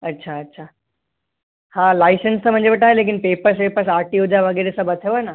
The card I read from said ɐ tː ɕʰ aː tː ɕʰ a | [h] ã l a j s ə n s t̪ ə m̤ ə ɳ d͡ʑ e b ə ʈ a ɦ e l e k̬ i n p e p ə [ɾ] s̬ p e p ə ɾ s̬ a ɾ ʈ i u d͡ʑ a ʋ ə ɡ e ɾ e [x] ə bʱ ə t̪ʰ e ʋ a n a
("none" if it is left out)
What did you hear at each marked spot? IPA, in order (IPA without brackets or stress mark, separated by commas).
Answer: h, ɾ, s